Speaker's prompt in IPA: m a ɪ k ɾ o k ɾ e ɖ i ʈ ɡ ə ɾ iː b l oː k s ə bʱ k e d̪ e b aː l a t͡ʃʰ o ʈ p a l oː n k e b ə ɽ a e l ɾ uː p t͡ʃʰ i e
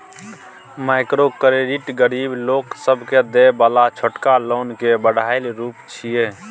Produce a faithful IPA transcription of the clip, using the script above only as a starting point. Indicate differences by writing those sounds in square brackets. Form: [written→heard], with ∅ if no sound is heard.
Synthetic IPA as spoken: m a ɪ k ɾ o k ɾ e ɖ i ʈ ɡ ə ɾ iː b l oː k s ə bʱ k e d̪ e b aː l a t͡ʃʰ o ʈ [p→k] a l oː n k e b ə ɽ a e l ɾ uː p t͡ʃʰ i e

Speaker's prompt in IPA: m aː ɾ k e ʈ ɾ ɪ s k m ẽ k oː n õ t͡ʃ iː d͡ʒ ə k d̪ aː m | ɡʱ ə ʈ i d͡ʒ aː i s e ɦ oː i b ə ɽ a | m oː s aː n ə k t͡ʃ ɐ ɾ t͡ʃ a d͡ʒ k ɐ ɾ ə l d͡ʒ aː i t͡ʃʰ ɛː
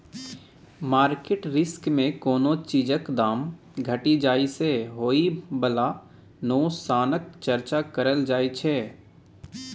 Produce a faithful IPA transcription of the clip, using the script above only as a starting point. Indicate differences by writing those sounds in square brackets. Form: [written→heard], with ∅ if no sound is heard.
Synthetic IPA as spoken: m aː ɾ k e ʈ ɾ ɪ s k m ẽ k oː n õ t͡ʃ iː d͡ʒ ə k d̪ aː m | ɡʱ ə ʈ i d͡ʒ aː i s e ɦ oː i b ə [ɽ→l] a | [m→n] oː s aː n ə k t͡ʃ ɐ ɾ t͡ʃ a [d͡ʒ→∅] k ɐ ɾ ə l d͡ʒ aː i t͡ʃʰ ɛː

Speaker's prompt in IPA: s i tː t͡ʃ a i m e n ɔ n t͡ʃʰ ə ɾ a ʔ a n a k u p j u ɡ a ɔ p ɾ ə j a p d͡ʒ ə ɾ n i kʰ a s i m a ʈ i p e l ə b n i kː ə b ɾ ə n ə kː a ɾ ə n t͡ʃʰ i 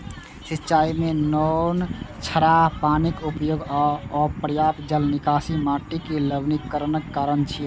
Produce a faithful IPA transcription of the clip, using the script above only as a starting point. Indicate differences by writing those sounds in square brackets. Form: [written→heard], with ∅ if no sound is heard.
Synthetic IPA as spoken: s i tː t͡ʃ a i m e n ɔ n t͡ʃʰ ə ɾ a [ʔ→p] a n [a→i] k u p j [u→o] ɡ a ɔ p ɾ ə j a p d͡ʒ ə [ɾ→l] n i [kʰ→k] a s i m a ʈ i [p→k] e l ə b n i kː ə [b→∅] ɾ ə n ə kː a ɾ ə n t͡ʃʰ i

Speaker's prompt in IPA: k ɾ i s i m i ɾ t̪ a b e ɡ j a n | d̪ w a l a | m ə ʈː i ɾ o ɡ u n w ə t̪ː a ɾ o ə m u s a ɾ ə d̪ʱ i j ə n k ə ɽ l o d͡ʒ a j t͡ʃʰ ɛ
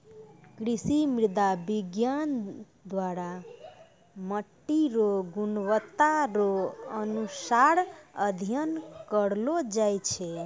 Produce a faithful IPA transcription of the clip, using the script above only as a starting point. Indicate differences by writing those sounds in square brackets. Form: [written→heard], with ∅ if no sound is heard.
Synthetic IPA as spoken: k ɾ i s i m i ɾ [t̪→d̪] a b [e→i] ɡ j a n | d̪ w a [l→ɾ] a | m ə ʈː i ɾ o ɡ u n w ə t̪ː a ɾ o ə [m→n] u s a ɾ ə d̪ʱ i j ə n k ə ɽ l o d͡ʒ a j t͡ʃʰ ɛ

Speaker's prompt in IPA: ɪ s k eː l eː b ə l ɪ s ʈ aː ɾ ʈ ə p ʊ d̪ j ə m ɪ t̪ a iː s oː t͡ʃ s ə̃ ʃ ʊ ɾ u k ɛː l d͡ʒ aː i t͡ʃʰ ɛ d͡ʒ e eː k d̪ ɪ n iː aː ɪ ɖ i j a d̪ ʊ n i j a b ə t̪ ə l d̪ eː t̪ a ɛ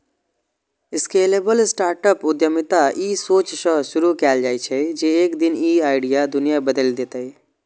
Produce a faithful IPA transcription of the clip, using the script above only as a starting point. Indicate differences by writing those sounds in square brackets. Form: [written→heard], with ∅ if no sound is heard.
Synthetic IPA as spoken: ɪ s k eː l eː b ə l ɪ s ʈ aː ɾ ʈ ə p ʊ d̪ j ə m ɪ t̪ a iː s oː t͡ʃ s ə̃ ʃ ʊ ɾ u k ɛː l d͡ʒ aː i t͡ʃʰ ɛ d͡ʒ e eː k d̪ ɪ n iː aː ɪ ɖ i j a d̪ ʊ n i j a b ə [t̪→d̪] ə l d̪ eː t̪ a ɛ

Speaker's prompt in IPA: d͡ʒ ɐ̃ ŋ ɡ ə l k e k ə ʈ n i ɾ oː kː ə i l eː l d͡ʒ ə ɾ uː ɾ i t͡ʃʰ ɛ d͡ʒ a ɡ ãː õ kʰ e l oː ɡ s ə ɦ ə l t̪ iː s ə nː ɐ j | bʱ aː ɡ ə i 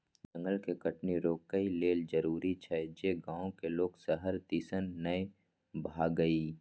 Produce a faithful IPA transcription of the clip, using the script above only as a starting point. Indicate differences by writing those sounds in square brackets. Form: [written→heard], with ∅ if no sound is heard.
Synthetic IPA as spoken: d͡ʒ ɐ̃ ŋ ɡ ə l k e k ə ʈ n i ɾ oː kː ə i l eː l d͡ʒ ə ɾ uː ɾ i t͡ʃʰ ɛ d͡ʒ [a→e] ɡ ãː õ [kʰ→k] e l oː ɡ s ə ɦ ə [l→ɾ] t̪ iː s ə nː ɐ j | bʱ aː ɡ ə i

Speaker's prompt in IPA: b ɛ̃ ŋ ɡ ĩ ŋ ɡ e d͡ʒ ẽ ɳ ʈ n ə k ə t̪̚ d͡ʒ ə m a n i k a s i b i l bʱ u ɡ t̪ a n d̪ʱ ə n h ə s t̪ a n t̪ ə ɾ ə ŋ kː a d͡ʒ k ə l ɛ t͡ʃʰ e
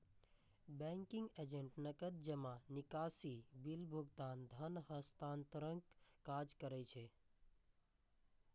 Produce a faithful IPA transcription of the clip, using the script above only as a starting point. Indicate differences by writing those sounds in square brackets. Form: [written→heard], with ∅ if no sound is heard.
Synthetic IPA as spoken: b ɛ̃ ŋ [ɡ→k] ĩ ŋ ɡ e d͡ʒ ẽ ɳ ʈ n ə k ə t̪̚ d͡ʒ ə m a n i k a s i b i l bʱ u ɡ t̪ a n d̪ʱ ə n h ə s t̪ a n t̪ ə ɾ ə ŋ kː a d͡ʒ k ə [l→ɾ] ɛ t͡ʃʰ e

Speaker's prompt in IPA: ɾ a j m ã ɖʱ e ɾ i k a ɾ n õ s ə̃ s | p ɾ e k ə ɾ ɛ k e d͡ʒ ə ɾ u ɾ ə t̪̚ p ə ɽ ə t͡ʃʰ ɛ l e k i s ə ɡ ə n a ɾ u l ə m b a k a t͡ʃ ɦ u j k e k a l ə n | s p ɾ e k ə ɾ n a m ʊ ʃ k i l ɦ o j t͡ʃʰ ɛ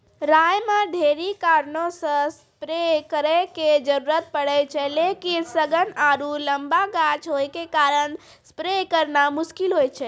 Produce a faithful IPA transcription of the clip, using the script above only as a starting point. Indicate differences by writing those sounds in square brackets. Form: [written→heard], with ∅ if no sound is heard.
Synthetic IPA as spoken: ɾ a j m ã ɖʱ e ɾ i k a ɾ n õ s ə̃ s | p ɾ e k ə ɾ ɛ k e d͡ʒ ə ɾ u ɾ ə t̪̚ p ə ɽ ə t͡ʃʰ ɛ l e k i s ə ɡ ə n a ɾ u l ə m b a [k→ɡ] a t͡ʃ ɦ [u→o] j k e k a [l→ɾ] ə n | s p ɾ e k ə ɾ n a m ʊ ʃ k i l ɦ o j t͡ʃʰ ɛ

